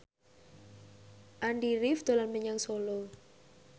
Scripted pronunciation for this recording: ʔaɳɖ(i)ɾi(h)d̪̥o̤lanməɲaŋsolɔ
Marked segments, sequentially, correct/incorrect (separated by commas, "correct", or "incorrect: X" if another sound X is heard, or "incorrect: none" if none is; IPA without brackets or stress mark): correct, incorrect: f